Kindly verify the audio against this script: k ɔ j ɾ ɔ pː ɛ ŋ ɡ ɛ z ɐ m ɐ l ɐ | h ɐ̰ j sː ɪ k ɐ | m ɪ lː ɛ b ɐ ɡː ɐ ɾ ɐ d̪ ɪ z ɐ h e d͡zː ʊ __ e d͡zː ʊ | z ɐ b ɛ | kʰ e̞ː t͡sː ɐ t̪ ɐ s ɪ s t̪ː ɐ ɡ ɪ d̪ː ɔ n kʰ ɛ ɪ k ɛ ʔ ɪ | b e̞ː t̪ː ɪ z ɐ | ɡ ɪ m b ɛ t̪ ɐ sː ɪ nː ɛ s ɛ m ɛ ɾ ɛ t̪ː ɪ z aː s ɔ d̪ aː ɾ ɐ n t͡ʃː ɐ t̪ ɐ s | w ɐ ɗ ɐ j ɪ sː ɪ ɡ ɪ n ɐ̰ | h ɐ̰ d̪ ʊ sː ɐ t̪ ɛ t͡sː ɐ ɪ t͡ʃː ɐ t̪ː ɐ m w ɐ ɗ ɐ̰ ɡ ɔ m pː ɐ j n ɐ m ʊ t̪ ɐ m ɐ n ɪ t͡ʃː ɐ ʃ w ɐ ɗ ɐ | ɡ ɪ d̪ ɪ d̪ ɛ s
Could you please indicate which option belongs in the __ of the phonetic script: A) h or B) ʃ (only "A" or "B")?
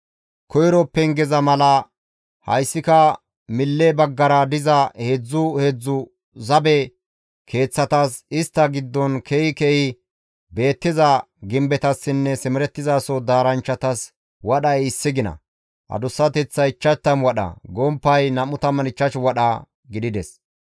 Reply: A